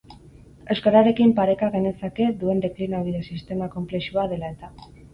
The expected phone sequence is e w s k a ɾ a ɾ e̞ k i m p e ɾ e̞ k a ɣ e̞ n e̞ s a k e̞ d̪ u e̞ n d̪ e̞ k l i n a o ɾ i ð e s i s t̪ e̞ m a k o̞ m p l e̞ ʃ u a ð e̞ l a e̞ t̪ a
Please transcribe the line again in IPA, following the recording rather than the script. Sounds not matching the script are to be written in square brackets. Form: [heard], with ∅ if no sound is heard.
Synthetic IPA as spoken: e w s k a ɾ a ɾ e̞ k i m p [a] ɾ e̞ k a ɣ e̞ n e̞ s a k e̞ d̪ u e̞ n d̪ e̞ k l i n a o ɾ i ð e s i s t̪ e̞ m a k o̞ m p l e̞ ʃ u a ð e̞ l a e̞ t̪ a